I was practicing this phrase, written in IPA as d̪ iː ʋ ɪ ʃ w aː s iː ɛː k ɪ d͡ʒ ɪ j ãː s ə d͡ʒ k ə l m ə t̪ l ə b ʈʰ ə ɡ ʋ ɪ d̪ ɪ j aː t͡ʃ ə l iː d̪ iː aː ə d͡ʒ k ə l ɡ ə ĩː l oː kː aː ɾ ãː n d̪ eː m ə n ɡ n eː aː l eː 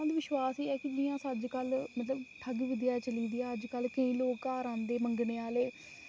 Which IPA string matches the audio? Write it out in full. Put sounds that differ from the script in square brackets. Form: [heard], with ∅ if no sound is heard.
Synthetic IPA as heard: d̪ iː ʋ ɪ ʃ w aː s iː ɛː k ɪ d͡ʒ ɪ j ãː s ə d͡ʒ k ə l m ə t̪ l ə b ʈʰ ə ɡ ʋ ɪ d̪ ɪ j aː t͡ʃ ə l iː d̪ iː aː ə d͡ʒ k ə l [k] ə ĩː l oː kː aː ɾ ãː n d̪ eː m ə [ŋ] ɡ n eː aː l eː